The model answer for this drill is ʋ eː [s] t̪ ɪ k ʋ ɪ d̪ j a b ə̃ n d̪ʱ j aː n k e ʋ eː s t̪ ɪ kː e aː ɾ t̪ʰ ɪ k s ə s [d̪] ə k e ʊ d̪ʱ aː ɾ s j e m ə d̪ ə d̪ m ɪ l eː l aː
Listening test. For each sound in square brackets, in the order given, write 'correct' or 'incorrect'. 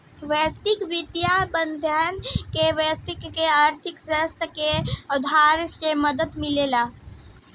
correct, incorrect: t̪

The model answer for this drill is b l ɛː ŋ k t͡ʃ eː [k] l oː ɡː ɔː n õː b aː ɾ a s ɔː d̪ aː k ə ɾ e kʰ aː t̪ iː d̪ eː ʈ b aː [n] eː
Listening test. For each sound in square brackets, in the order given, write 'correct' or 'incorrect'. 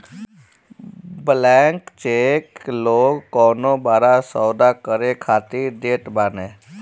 correct, correct

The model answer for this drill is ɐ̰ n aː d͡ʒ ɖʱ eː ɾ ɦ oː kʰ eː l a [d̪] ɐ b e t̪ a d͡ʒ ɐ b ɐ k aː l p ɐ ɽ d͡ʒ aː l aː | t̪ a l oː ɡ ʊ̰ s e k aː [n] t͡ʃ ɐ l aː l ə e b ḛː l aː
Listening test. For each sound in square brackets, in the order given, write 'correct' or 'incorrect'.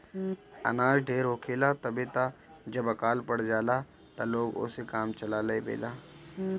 incorrect: t̪, incorrect: m

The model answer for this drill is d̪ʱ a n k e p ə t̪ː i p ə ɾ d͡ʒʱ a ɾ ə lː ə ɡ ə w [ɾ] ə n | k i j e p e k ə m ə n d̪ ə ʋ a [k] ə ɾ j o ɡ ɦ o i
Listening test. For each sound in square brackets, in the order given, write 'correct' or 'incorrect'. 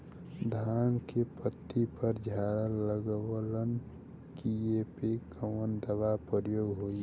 incorrect: l, incorrect: p

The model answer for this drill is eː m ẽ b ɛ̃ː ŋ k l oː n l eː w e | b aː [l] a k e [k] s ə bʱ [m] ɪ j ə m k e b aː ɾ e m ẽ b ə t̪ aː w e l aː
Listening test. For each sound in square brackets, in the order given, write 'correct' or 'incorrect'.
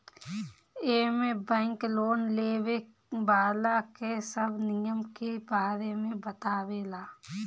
correct, incorrect: none, incorrect: n

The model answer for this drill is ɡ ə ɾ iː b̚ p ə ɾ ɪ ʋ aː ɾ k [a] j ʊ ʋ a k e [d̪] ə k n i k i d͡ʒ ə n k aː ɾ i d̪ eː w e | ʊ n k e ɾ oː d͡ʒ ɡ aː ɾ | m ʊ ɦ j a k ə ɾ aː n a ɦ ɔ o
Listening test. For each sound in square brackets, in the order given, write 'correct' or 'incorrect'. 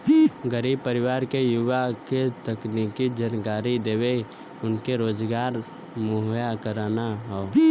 incorrect: e, incorrect: t̪

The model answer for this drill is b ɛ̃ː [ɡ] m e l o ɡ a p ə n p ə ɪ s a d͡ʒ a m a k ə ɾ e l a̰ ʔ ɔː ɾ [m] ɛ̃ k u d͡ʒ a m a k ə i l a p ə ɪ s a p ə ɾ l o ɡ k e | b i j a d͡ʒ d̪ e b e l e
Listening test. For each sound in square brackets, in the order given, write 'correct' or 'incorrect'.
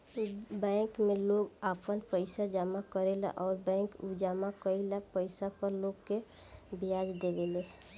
incorrect: k, incorrect: b

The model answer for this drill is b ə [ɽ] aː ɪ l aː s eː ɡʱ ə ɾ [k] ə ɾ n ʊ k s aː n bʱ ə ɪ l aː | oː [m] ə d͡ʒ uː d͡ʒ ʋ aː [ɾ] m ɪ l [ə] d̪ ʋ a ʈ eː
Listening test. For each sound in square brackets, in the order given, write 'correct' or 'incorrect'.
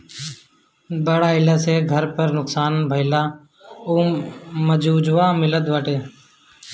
correct, incorrect: p, correct, incorrect: none, correct

